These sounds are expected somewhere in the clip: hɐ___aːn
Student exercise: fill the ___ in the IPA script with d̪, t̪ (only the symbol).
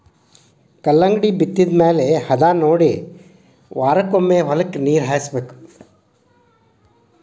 d̪